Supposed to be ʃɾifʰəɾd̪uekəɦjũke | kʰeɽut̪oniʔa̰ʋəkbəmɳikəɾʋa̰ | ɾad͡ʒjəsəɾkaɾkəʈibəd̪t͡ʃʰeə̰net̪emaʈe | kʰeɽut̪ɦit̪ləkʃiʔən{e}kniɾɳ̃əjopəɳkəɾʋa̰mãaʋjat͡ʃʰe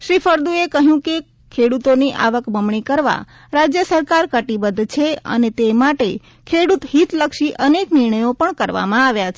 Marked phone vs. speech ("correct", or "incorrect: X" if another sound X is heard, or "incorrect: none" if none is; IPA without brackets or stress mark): correct